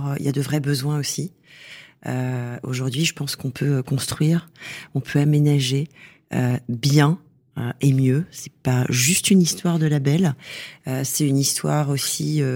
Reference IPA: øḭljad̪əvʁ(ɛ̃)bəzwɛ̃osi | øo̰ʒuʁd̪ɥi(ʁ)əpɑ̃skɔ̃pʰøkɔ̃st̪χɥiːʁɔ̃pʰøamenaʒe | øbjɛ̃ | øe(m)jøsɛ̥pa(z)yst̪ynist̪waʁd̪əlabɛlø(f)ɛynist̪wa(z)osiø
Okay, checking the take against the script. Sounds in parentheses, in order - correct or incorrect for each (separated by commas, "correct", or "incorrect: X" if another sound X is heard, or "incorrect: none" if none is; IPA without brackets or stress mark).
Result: incorrect: ɛ, incorrect: ʒ, correct, incorrect: ʒ, incorrect: s, incorrect: ʁ